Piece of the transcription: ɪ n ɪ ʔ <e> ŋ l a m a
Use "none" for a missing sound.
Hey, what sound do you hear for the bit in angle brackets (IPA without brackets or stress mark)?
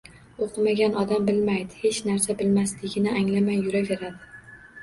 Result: a